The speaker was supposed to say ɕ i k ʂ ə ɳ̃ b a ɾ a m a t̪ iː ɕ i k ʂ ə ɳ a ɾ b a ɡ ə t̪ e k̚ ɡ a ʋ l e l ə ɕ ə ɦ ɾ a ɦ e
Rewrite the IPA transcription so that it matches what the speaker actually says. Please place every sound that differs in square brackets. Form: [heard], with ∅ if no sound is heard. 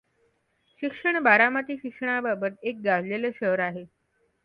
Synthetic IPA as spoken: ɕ i k ʂ ə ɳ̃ b a ɾ a m a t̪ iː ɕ i k ʂ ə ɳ a [∅] b a [b] ə t̪ e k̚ ɡ a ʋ l e l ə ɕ ə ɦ ɾ a ɦ e